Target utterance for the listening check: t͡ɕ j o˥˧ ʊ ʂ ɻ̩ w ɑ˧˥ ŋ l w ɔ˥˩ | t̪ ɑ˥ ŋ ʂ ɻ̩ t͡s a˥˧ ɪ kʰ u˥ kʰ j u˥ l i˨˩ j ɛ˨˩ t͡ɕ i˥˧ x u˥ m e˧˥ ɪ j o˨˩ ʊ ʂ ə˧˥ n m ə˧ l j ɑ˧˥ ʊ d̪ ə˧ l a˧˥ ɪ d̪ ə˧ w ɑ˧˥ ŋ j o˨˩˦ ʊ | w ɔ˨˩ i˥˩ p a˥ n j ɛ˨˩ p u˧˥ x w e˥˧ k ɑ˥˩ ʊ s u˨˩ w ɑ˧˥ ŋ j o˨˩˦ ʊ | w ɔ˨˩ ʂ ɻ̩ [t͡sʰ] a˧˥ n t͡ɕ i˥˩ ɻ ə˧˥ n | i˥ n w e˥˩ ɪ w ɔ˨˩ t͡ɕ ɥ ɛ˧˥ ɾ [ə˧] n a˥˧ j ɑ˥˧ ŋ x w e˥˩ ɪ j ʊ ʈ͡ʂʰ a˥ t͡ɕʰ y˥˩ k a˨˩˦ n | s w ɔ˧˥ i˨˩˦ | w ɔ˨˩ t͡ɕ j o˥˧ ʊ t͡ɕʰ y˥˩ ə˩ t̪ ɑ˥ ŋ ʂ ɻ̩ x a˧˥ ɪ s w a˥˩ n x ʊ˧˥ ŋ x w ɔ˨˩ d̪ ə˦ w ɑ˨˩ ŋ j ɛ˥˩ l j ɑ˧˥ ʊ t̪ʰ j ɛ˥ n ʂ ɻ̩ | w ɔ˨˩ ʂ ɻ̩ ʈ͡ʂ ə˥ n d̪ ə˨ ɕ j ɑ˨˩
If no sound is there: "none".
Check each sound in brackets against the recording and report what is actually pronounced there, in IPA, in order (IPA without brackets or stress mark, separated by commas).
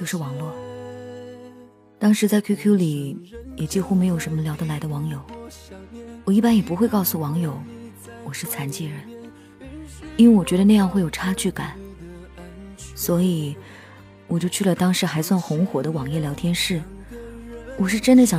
t͡sʰ, ə˧